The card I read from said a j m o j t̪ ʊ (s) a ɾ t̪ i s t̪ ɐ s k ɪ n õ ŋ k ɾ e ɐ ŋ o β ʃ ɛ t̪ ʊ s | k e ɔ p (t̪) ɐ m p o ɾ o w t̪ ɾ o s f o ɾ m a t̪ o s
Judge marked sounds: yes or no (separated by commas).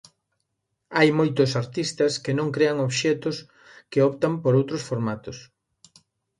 yes, yes